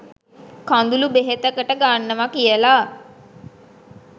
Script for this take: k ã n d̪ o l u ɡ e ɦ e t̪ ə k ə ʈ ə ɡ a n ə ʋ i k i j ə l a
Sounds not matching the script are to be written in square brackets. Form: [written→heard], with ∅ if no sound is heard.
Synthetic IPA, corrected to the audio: k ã n d̪ [o→u] l u [ɡ→b] e ɦ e t̪ ə k ə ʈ ə ɡ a [n→nː] ə ʋ [i→a] k i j ə l a